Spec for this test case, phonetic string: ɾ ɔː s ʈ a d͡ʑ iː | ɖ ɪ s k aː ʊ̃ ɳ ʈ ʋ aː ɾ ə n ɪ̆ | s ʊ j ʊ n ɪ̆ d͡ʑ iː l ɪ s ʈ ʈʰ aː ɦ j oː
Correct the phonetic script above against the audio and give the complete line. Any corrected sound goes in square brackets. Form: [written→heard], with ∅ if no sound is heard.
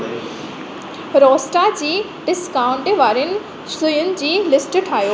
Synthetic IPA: ɾ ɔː s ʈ a d͡ʑ iː | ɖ ɪ s k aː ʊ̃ ɳ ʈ ʋ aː ɾ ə n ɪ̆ | s ʊ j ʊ n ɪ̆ d͡ʑ iː l ɪ s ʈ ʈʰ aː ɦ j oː